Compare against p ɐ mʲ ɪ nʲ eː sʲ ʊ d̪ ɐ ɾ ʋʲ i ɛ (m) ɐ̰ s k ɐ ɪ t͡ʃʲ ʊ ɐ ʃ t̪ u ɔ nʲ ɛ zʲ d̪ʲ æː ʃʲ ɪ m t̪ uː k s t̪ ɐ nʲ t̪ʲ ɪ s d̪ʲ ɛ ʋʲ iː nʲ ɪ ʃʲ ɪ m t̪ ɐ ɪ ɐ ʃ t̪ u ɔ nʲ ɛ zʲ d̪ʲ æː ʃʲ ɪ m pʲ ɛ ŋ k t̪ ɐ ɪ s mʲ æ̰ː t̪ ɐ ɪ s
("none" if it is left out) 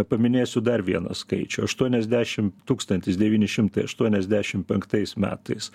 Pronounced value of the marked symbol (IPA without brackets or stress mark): n